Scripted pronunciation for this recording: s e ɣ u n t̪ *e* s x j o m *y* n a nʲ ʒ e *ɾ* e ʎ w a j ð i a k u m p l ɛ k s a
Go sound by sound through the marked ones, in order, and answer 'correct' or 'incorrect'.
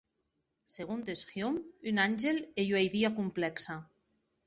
correct, correct, incorrect: l

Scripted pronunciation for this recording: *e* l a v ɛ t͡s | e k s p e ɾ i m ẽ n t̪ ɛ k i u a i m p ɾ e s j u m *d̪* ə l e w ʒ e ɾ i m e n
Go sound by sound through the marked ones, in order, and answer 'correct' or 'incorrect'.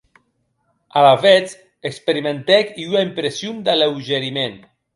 incorrect: a, correct

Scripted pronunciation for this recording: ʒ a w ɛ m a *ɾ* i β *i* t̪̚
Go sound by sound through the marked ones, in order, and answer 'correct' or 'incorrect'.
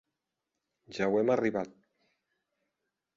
incorrect: r, incorrect: a

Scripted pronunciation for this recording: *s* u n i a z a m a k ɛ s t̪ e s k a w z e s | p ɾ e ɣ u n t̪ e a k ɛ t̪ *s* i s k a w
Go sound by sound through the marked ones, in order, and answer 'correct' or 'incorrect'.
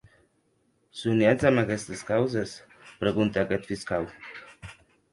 correct, incorrect: f

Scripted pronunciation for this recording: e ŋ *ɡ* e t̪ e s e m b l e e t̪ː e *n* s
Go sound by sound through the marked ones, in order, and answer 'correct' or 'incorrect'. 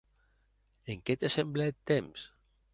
incorrect: k, incorrect: m

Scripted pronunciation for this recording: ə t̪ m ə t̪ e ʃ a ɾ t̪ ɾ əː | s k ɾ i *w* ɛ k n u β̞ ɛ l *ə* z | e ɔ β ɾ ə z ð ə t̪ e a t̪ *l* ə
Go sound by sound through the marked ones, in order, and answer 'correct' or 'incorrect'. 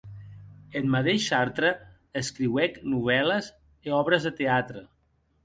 correct, correct, incorrect: ɾ

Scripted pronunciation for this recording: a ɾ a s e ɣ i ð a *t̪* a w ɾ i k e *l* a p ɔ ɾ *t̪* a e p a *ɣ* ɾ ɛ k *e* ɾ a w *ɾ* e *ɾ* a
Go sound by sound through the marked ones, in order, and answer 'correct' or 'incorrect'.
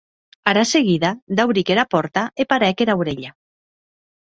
incorrect: d̪, incorrect: ɾ, correct, incorrect: none, correct, correct, incorrect: ʎ

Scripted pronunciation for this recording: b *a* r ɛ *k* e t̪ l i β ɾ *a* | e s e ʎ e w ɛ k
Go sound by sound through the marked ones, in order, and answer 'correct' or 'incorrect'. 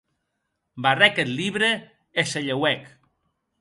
correct, correct, incorrect: e

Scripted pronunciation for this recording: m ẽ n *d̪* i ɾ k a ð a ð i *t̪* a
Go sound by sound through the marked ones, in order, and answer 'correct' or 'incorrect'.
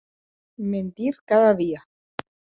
incorrect: t̪, incorrect: none

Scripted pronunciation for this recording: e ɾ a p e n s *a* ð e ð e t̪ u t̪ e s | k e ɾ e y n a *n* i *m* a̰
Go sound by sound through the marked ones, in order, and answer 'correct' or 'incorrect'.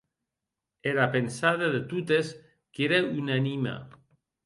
correct, correct, correct

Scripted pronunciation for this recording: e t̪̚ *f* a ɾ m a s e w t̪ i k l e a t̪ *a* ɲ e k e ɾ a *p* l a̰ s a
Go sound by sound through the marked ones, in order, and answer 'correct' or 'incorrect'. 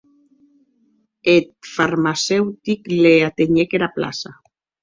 correct, incorrect: e, correct

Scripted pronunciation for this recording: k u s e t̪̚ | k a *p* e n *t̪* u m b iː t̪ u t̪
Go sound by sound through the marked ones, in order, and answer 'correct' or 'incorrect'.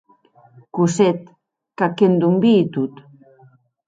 incorrect: k, incorrect: d̪

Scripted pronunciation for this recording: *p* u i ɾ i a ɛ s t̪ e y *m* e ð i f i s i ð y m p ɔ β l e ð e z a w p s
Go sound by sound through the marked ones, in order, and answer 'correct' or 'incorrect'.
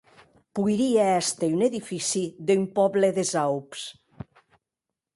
correct, incorrect: n

